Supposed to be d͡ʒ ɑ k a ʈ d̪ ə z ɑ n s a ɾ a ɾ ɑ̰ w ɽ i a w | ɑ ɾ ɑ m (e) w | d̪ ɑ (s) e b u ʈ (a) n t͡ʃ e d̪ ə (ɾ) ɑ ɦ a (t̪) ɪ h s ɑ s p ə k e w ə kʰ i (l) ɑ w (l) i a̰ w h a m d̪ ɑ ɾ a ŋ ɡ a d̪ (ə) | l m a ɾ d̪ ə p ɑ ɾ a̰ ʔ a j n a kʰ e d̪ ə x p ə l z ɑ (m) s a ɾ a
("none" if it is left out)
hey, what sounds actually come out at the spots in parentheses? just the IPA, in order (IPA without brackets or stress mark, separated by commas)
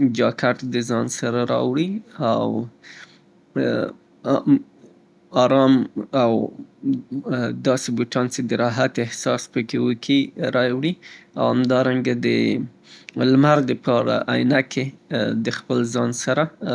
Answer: a, s, ɑ, ɾ, t̪, ɾ, ɽ, ə, n